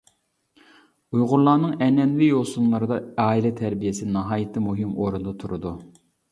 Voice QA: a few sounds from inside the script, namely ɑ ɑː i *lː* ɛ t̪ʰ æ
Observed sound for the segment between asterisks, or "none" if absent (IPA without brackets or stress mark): l